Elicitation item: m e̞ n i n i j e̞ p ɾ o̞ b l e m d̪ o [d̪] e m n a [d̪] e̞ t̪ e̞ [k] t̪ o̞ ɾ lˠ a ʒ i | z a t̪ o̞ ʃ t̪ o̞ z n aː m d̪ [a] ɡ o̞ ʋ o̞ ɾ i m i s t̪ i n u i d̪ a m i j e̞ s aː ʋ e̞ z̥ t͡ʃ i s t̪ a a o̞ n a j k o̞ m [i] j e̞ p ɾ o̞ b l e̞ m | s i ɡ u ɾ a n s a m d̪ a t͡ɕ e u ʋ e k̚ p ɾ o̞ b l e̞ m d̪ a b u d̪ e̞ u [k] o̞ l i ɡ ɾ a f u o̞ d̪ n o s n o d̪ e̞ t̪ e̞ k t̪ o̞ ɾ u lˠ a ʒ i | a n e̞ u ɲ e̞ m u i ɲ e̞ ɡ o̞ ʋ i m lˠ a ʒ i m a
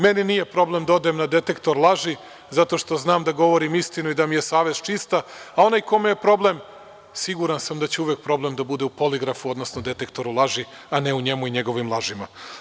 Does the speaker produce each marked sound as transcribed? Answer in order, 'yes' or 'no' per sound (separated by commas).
yes, yes, yes, yes, no, no